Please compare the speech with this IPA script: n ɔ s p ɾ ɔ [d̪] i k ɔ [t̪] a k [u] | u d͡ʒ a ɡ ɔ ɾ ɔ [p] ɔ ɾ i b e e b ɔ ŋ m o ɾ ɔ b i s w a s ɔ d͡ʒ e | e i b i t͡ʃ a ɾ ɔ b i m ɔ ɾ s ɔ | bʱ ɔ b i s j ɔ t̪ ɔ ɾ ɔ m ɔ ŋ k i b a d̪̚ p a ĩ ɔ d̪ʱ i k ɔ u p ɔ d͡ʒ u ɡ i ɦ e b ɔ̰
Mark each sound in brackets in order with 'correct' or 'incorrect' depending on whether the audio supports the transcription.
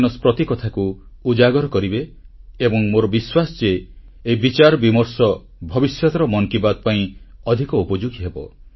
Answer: incorrect: t̪, incorrect: t̪ʰ, correct, incorrect: k

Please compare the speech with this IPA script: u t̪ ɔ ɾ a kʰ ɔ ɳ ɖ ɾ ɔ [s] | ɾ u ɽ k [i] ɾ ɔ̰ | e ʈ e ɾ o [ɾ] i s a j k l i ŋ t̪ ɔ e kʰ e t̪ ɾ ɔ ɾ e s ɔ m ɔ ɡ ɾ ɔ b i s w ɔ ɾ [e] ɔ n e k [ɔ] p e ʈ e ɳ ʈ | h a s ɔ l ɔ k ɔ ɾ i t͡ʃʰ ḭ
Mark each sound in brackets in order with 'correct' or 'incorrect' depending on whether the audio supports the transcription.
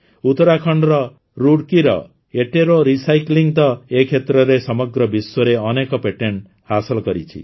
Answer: incorrect: none, correct, correct, correct, correct

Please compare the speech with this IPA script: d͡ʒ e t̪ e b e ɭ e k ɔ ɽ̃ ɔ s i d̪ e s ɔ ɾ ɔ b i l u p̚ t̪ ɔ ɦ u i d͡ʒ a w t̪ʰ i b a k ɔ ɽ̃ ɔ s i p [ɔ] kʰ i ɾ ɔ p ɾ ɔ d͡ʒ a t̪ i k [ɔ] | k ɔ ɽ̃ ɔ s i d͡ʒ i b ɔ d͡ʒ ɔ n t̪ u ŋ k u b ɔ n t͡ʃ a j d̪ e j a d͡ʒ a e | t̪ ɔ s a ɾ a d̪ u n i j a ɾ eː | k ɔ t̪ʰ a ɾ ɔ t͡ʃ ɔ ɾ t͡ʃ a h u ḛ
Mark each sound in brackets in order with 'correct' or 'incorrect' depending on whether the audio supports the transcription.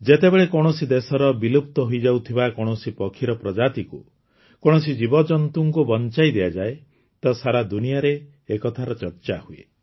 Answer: correct, incorrect: u

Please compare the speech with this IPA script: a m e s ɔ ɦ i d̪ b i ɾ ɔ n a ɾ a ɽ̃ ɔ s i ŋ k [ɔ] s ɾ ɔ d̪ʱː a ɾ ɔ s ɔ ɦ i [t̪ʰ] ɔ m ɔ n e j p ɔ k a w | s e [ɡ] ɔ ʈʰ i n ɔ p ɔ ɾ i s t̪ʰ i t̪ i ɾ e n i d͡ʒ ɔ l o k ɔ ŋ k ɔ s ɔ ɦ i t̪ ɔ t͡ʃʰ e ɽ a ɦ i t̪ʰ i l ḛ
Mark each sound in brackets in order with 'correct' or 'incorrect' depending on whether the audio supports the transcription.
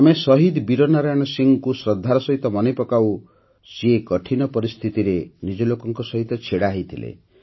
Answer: incorrect: u, incorrect: t̪, incorrect: k

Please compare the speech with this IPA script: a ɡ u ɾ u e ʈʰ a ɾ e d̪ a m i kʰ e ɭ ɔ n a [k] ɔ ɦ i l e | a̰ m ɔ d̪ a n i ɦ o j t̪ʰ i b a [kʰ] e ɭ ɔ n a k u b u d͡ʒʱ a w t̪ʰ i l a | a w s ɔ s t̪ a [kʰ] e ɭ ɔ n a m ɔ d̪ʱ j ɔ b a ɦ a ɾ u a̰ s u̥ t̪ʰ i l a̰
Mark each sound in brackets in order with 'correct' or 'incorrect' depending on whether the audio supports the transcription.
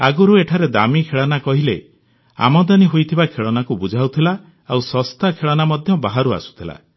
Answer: correct, correct, correct

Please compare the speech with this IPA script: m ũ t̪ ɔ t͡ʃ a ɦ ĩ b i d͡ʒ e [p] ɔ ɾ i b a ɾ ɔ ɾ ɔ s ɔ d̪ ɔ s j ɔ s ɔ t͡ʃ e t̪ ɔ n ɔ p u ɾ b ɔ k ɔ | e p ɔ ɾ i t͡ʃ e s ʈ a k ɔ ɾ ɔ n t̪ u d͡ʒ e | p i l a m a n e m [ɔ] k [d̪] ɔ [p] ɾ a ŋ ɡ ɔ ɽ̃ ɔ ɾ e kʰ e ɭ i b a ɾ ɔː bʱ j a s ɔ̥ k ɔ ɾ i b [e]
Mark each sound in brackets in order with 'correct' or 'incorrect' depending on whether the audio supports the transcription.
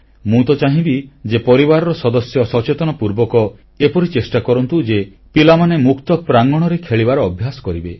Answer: correct, incorrect: u, incorrect: t̪, correct, correct

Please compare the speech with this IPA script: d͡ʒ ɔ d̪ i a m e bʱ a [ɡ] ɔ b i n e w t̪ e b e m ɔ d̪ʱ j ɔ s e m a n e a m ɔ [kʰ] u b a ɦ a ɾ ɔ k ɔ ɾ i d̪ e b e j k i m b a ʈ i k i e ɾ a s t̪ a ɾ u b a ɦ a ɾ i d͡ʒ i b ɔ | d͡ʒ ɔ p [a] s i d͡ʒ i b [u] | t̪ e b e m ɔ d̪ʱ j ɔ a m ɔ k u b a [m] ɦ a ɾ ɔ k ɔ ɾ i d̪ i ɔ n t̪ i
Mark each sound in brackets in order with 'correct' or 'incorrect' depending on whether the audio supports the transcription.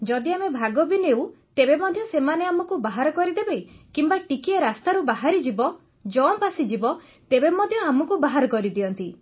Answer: correct, incorrect: k, correct, incorrect: ɔ, incorrect: none

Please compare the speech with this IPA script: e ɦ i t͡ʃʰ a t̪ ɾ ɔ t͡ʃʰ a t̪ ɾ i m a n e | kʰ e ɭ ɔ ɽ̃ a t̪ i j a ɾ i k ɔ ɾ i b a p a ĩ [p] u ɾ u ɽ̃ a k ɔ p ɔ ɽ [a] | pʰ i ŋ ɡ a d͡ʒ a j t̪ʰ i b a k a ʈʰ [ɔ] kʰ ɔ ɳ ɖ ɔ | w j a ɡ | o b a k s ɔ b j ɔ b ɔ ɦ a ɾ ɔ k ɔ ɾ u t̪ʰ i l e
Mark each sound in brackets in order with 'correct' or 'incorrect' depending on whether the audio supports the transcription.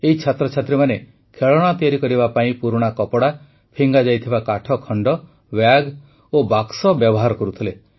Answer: correct, correct, correct

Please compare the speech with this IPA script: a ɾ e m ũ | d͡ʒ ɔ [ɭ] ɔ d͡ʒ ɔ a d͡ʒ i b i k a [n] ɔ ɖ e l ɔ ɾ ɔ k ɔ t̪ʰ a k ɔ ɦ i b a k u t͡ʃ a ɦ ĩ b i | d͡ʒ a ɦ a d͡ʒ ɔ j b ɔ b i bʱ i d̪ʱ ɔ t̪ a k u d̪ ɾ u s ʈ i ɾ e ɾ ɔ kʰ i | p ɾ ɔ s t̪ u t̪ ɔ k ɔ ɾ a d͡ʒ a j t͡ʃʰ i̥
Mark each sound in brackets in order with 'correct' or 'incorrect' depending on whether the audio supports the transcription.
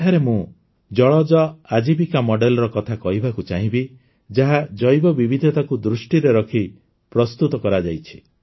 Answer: correct, incorrect: m

